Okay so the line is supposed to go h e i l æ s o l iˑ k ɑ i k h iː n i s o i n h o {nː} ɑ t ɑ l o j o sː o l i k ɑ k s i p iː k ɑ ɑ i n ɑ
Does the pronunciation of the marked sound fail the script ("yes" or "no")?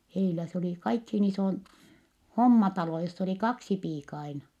yes